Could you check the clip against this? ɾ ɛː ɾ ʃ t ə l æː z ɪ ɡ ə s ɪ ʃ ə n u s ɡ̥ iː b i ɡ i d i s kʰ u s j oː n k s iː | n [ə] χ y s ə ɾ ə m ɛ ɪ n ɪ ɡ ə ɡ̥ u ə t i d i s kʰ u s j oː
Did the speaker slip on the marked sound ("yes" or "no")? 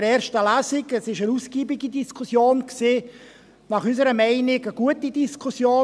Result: yes